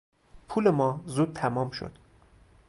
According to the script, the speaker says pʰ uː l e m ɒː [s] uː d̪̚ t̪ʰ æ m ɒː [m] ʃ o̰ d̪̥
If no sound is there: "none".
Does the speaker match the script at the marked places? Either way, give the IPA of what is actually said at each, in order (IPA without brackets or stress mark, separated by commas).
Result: z, m